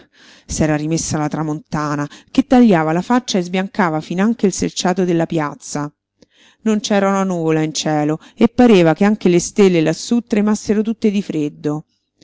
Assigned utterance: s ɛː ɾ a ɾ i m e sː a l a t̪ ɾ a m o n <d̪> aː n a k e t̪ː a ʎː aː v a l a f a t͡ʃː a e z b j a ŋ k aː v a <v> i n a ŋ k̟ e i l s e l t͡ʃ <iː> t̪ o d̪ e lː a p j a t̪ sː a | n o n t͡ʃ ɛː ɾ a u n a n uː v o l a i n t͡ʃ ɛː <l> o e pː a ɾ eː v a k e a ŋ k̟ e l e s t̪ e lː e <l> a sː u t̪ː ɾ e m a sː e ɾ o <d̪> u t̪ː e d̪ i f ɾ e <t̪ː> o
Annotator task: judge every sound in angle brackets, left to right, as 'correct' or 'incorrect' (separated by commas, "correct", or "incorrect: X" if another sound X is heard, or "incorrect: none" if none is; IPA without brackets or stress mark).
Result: incorrect: t̪, incorrect: f, incorrect: aː, correct, correct, incorrect: t̪, incorrect: d̪ː